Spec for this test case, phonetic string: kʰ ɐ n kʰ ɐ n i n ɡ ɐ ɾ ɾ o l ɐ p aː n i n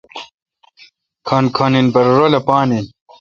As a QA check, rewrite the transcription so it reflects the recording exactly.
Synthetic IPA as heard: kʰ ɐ n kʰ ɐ n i n b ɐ ɾ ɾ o l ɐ p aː n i n

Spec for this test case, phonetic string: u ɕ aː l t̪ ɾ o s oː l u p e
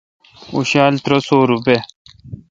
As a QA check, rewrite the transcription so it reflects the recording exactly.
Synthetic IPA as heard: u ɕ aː l t̪ ɾ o s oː ɾ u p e

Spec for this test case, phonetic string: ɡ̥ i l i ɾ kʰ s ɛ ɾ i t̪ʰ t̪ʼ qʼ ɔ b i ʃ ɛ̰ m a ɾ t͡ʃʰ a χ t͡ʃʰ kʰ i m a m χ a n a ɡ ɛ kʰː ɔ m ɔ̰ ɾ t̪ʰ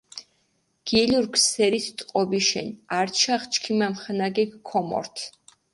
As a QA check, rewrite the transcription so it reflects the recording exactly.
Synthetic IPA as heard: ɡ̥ i l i ɾ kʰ s ɛ ɾ i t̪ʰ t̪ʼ qʼ ɔ b i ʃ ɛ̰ n a ɾ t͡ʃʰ a χ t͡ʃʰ kʰ i m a m χ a n a ɡ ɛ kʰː ɔ m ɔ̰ ɾ t̪ʰ

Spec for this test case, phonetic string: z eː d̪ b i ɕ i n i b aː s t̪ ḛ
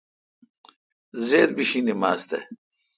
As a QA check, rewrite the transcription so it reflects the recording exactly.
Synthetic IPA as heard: z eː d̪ b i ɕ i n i m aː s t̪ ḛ

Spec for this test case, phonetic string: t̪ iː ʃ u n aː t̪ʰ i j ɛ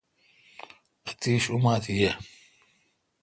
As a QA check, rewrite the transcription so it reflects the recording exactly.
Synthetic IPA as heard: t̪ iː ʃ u m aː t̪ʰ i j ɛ

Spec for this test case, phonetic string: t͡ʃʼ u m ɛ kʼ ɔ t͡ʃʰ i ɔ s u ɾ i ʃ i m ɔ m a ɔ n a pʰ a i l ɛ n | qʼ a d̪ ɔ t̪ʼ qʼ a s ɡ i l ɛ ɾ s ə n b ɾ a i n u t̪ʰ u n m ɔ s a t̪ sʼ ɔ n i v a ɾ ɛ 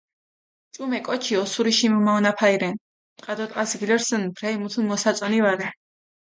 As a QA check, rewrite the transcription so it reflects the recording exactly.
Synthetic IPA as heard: t͡ʃʼ u m ɛ kʼ ɔ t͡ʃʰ i ɔ s u ɾ i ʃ i m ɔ m a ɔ n a pʰ a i ɾ ɛ n | qʼ a d̪ ɔ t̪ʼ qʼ a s ɡ i l ɛ ɾ s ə n b ɾ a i m u t̪ʰ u n m ɔ s a t̪ sʼ ɔ n i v a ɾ ɛ

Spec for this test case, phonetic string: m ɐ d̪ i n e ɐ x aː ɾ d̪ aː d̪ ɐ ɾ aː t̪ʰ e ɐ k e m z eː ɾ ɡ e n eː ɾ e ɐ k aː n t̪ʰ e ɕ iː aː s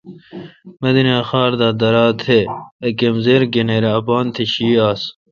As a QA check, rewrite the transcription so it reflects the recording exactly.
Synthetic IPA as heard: m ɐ d̪ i n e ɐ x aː ɾ d̪ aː d̪ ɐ ɾ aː t̪ʰ e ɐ k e m z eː ɾ ɡ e n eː ɾ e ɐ p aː n t̪ʰ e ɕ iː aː s

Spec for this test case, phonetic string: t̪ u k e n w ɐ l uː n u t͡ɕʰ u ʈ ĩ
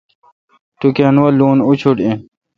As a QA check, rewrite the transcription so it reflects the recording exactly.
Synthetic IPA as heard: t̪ u k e n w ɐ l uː n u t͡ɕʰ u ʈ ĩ

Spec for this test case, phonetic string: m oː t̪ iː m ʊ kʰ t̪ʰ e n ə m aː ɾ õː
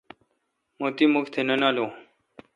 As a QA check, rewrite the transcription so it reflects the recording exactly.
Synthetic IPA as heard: m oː t̪ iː m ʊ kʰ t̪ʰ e n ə n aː l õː

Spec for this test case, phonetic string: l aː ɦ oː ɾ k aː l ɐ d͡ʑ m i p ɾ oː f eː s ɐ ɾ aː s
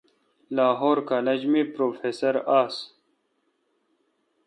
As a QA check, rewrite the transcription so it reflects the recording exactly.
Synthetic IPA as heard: l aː ɦ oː ɾ k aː l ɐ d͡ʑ m i p ɾ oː f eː s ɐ ɾ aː s

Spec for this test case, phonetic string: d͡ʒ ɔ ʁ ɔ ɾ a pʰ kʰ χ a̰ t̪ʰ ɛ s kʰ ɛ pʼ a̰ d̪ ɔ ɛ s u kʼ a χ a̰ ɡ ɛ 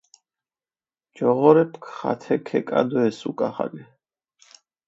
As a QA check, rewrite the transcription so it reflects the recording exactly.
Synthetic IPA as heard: d͡ʒ ɔ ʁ ɔ ɾ ɛ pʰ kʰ χ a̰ t̪ʰ ɛ kʰ ɛ kʼ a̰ d̪ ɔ ɛ s u kʼ a χ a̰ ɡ ɛ

